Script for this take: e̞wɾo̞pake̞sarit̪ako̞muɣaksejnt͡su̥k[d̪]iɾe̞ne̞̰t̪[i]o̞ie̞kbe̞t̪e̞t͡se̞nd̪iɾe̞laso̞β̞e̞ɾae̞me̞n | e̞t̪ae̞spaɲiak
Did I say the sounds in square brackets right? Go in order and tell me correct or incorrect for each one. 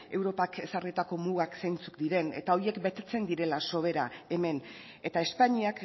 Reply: correct, incorrect: a

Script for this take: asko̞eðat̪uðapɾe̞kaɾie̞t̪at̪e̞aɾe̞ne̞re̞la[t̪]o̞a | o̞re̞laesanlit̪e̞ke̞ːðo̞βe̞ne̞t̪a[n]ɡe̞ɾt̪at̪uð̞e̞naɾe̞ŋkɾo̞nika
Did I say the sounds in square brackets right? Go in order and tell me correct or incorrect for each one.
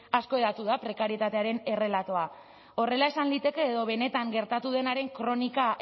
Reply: correct, incorrect: ŋ

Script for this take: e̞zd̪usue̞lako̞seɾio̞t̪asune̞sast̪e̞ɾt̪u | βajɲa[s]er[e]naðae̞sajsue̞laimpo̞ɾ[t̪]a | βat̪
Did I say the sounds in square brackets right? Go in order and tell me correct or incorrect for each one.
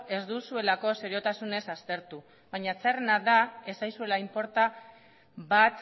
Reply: incorrect: t͡s, correct, correct

